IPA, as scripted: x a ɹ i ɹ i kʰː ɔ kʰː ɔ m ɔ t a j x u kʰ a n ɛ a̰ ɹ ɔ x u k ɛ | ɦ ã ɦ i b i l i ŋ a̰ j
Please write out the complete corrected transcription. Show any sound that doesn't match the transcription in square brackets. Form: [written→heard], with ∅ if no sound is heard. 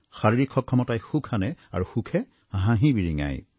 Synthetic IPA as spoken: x a ɹ i ɹ i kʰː ɔ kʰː ɔ m ɔ t a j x u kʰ a n ɛ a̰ ɹ [ɔ→u] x u [k→kʰ] ɛ | ɦ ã ɦ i b i [l→ɹ] i ŋ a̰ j